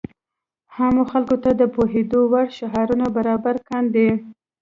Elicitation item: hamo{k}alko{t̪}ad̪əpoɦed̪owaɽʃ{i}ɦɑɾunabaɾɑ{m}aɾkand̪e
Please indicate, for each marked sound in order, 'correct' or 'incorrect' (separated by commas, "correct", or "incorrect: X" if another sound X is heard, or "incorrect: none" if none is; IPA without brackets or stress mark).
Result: incorrect: x, correct, incorrect: a, incorrect: b